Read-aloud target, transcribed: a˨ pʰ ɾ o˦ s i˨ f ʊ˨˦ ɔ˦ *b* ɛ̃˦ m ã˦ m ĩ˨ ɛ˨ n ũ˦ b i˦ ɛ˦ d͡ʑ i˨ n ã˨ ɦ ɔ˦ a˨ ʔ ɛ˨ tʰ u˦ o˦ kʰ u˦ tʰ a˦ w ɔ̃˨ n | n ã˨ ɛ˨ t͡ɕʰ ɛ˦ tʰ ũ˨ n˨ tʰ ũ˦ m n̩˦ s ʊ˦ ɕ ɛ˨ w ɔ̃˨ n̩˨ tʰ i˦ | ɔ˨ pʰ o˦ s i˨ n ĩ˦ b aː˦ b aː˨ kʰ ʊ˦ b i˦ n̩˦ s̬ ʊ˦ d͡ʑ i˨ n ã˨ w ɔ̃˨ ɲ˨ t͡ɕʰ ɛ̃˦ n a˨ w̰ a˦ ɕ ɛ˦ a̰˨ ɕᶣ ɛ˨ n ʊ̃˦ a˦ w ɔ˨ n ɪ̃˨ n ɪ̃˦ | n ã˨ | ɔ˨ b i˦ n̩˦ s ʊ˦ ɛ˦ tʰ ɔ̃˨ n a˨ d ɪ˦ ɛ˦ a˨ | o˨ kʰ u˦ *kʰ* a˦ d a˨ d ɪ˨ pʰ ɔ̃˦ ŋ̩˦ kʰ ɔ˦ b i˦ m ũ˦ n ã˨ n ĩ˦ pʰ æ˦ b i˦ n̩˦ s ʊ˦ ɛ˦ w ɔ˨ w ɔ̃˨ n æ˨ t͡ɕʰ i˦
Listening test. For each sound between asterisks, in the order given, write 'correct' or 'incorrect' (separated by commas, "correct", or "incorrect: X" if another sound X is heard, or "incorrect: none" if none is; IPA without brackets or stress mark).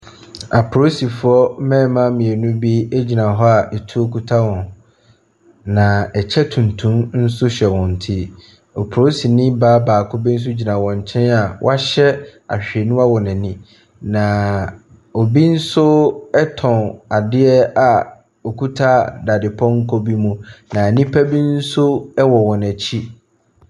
incorrect: m, incorrect: tʰ